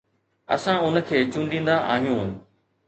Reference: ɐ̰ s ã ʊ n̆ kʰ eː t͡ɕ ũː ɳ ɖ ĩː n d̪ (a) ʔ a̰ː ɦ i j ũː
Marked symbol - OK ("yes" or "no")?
yes